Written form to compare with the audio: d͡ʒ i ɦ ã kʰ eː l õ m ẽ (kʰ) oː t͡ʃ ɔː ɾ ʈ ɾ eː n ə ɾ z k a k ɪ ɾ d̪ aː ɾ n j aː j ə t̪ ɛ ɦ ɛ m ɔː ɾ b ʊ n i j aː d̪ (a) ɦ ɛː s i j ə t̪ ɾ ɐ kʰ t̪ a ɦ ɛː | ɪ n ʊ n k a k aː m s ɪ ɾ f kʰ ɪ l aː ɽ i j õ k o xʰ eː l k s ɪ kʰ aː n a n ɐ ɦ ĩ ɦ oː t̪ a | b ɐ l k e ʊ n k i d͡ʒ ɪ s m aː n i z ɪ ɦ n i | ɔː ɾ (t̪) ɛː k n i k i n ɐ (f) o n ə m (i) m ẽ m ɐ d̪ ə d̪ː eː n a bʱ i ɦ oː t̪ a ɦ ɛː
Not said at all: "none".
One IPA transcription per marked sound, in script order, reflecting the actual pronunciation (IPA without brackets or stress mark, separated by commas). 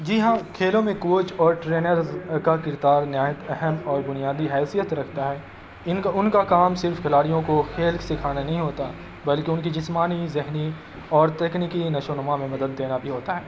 k, i, t̪, ʃ, a